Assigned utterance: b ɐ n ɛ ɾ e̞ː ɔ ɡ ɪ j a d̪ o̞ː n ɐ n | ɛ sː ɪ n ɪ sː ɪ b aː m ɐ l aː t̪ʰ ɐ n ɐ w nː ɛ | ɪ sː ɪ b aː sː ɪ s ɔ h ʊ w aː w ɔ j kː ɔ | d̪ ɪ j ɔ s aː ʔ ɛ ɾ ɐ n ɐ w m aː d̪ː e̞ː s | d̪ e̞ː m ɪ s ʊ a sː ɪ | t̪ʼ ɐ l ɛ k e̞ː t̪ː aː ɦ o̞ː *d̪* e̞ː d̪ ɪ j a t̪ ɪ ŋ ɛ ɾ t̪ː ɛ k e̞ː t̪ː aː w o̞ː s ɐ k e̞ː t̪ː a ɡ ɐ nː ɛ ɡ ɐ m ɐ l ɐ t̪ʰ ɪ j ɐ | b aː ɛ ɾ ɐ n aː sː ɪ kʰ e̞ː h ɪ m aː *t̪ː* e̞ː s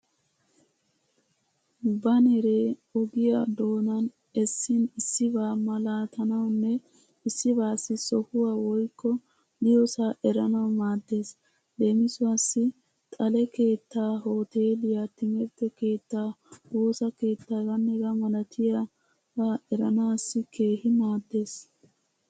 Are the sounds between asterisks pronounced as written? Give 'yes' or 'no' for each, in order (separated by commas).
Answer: no, no